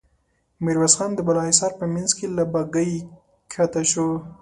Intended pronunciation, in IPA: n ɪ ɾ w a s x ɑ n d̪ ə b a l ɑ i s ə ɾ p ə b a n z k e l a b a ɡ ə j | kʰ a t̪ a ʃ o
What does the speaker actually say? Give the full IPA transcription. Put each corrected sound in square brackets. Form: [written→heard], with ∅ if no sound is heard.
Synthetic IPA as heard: [n→m] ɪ ɾ w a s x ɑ n d̪ ə b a l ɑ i s [ə→ɑ] ɾ p ə [b→m] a n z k e l a b a ɡ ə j | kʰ a t̪ a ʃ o